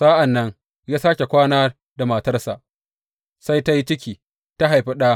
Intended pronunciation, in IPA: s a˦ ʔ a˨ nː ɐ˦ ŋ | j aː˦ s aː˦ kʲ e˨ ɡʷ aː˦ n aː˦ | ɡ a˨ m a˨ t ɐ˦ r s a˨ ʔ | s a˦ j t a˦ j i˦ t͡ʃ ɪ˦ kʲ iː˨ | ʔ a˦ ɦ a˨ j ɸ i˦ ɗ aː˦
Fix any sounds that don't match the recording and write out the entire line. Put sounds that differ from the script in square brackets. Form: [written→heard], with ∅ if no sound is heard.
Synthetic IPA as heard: s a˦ ʔ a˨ nː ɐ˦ ŋ | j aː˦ s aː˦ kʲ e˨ [ɡʷ→kʷ] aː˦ n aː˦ | [ɡ→d] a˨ m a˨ t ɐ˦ r s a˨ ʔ | s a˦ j t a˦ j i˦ t͡ʃ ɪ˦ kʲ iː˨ | [ʔ→t] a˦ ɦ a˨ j ɸ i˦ ɗ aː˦